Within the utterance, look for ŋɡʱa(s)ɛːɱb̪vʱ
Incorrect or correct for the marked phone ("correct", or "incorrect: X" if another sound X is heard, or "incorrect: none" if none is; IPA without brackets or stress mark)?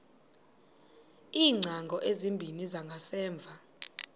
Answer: correct